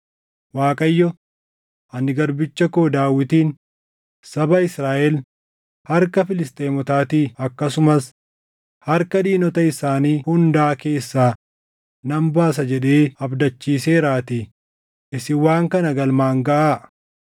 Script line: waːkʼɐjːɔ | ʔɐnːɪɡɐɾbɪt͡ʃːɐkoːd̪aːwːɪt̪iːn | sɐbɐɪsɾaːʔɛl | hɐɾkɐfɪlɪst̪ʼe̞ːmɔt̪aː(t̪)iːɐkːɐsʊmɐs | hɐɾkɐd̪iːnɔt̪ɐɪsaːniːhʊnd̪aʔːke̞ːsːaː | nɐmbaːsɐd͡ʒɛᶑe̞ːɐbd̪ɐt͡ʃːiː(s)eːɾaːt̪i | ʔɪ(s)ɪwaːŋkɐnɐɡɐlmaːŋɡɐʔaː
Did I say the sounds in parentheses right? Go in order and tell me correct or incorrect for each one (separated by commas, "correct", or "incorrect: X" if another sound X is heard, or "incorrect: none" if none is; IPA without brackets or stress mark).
correct, correct, correct